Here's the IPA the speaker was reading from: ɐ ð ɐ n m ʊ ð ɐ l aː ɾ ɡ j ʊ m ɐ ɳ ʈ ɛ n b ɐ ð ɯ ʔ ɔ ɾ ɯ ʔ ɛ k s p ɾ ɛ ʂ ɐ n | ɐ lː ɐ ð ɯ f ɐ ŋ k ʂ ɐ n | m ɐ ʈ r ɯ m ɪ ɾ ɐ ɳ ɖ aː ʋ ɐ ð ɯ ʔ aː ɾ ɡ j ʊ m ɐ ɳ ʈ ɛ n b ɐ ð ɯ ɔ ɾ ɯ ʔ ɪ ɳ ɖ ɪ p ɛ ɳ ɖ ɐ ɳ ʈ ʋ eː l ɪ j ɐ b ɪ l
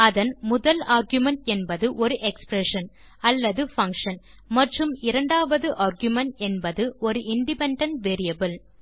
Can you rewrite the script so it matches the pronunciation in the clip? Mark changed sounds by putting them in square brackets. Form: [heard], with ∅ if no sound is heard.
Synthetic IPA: ɐ ð ɐ n m ʊ ð ɐ l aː ɾ ɡ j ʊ m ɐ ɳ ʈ ɛ n b ɐ ð ɯ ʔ ɔ ɾ ɯ ʔ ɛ k s p ɾ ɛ ʂ ɐ n | ɐ lː ɐ ð ɯ f ɐ ŋ k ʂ ɐ n | m ɐ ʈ r ɯ m ɪ ɾ ɐ ɳ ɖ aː ʋ ɐ ð ɯ ʔ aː ɾ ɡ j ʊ m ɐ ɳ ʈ ɛ n b ɐ ð ɯ ɔ ɾ ɯ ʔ ɪ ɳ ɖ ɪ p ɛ ɳ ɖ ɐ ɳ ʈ ʋ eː [ɾ] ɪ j ɐ b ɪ l